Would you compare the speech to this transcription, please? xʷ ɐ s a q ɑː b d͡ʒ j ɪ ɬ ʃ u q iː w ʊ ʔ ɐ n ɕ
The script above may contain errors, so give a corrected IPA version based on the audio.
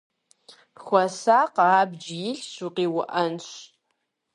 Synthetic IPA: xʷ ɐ s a q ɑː b d͡ʒ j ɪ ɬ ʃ u q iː w ʊ ʔ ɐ n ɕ